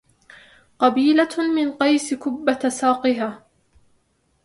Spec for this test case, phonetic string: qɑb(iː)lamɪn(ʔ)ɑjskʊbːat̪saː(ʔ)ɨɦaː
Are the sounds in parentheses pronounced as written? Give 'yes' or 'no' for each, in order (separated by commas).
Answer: yes, no, no